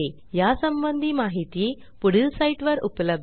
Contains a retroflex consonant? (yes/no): yes